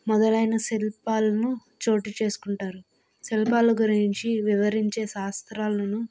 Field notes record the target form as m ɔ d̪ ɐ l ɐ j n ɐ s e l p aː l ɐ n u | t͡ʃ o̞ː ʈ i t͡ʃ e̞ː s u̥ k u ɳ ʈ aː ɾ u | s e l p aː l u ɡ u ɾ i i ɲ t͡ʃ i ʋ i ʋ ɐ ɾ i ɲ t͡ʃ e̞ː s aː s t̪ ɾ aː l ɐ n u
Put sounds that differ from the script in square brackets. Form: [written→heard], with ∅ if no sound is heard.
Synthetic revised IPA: m ɔ d̪ ɐ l ɐ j n ɐ s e l p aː l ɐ n u | t͡ʃ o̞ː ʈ i t͡ʃ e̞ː s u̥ k u ɳ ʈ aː ɾ u | s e l p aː l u ɡ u ɾ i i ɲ t͡ʃ i ʋ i ʋ ɐ ɾ i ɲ t͡ʃ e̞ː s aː s t̪ ɾ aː l ɐ n u